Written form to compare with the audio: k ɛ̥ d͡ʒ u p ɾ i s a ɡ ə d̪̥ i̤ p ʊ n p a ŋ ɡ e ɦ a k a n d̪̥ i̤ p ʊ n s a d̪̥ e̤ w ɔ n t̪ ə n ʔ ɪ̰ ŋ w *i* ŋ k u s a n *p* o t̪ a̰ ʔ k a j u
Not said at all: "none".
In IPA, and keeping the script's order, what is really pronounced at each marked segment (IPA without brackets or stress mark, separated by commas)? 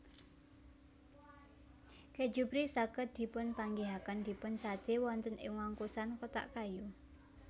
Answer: a, k